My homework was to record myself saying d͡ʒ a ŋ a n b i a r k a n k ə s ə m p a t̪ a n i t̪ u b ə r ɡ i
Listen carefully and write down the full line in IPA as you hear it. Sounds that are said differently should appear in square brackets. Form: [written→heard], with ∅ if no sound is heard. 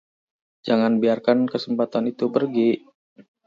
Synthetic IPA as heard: d͡ʒ a ŋ a n b i a r k a n k ə s ə m p a t̪ a n i t̪ u [b→p] ə r ɡ i